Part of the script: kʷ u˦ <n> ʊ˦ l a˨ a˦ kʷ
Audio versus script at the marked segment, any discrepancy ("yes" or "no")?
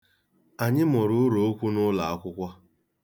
no